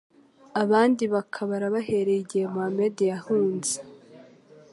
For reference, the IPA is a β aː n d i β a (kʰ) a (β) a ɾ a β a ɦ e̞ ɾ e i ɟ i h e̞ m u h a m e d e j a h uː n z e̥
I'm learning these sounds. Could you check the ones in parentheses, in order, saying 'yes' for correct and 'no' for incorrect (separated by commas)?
yes, yes